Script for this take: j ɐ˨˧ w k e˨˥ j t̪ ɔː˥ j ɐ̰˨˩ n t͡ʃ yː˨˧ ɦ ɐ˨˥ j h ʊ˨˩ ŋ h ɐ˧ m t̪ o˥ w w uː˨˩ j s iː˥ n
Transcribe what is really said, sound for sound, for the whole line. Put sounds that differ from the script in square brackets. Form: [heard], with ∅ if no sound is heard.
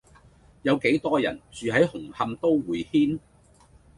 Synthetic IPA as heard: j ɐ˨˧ w k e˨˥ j t̪ ɔː˥ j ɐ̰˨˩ n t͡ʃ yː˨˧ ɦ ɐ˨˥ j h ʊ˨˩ ŋ h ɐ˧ m t̪ o˥ w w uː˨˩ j [h] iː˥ n